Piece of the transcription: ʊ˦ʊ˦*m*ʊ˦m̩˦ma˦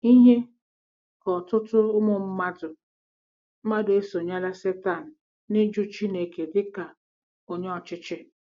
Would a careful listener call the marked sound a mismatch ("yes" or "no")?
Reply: no